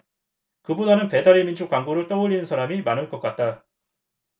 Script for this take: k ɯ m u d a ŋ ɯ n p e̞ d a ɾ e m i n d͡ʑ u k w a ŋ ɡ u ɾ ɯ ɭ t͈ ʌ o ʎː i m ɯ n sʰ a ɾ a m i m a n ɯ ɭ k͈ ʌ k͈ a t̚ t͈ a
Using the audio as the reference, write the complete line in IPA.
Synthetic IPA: k ɯ b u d a n ɯ n p e̞ d a ɾ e m i n d͡ʑ u k w a ŋ ɡ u ɾ ɯ ɭ t͈ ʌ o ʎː i n ɯ n sʰ a ɾ a m i m a n ɯ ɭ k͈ ʌ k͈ a t̚ t͈ a